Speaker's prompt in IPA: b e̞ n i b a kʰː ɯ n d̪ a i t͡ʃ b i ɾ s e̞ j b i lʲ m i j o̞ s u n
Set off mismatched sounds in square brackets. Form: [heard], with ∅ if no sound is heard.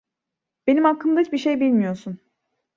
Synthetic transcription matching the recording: b e̞ n i [m] a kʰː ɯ [m] d̪ a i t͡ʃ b i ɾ [ʃ] e̞ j b i lʲ m i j o̞ s u n